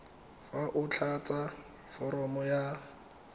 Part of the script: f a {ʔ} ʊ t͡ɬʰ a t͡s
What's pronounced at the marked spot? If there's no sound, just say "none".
ʔ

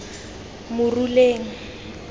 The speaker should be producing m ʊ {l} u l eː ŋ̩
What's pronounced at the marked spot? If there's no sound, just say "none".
r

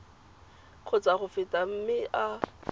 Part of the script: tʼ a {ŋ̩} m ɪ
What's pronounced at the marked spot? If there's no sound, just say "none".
m̩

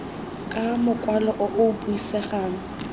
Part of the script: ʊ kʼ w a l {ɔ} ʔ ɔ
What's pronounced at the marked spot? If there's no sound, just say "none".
ɔ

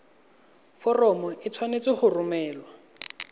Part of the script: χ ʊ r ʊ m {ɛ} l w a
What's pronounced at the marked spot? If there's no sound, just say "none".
ɛː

